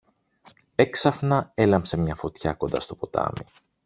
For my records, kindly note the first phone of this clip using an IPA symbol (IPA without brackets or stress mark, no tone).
e̞